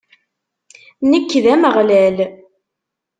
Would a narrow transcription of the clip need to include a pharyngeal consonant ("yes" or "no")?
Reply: no